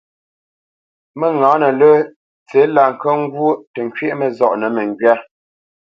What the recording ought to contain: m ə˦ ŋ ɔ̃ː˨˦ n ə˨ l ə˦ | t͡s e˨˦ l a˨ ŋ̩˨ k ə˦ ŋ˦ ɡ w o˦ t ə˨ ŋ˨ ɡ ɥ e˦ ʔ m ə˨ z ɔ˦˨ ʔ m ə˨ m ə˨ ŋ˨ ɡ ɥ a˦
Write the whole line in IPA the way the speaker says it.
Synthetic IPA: m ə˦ ŋ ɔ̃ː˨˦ n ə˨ l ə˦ | t͡s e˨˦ l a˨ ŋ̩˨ k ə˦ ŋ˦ ɡ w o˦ t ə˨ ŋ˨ k ɥ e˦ ʔ m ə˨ z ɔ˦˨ ʔ n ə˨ m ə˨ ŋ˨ ɡ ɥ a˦